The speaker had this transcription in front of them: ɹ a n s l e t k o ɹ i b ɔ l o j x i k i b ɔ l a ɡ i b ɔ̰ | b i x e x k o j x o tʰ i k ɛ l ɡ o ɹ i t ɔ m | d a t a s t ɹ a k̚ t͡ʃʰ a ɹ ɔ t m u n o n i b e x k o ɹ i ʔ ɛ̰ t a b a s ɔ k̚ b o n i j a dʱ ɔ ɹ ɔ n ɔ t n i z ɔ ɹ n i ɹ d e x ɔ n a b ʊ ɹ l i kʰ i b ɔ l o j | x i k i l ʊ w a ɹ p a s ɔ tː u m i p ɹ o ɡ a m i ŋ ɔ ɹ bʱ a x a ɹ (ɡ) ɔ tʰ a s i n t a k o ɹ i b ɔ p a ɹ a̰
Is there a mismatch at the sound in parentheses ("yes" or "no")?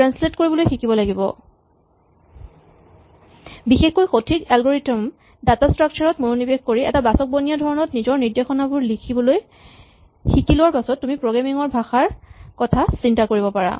yes